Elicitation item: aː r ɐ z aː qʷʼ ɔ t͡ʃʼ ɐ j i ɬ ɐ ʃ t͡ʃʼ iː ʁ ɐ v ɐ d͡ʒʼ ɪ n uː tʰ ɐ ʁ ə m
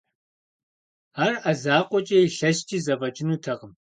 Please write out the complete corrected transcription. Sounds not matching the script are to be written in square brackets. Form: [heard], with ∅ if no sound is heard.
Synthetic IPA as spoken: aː r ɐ z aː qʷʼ ɔ t͡ʃʼ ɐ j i ɬ ɐ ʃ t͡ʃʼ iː [z] ɐ v ɐ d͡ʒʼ ɪ n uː tʰ ɐ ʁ ə m